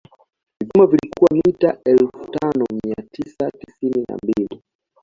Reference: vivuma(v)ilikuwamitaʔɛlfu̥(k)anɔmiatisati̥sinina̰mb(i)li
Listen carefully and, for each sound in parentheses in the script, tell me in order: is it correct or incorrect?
correct, incorrect, correct

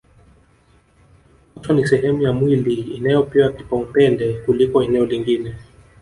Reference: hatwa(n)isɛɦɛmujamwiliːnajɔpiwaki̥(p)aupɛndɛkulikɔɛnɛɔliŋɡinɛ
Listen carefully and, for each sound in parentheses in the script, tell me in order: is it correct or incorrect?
correct, correct

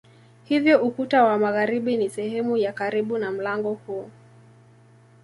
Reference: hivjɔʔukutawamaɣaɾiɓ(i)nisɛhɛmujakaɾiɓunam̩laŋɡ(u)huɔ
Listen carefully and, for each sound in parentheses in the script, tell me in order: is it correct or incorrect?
correct, incorrect

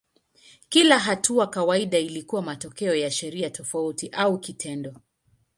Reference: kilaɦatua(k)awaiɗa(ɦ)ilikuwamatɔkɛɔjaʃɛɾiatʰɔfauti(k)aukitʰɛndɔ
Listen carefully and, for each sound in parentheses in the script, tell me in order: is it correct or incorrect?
correct, incorrect, incorrect

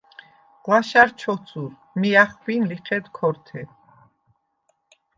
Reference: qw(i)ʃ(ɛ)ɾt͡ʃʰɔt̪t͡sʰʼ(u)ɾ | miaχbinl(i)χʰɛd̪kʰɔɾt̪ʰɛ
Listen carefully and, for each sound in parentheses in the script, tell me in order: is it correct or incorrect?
incorrect, incorrect, correct, correct

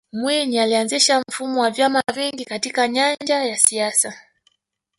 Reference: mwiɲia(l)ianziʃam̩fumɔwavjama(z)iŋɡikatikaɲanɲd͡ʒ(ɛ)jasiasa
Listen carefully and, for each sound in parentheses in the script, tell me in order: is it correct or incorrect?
correct, incorrect, incorrect

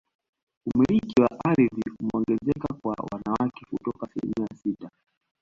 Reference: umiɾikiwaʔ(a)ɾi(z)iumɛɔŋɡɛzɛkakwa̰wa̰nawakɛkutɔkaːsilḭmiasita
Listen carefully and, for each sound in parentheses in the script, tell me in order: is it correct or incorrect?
correct, incorrect

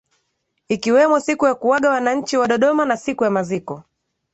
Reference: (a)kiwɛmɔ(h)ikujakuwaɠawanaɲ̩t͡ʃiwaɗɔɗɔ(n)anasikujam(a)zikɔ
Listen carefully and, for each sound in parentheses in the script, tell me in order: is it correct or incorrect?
incorrect, incorrect, incorrect, correct

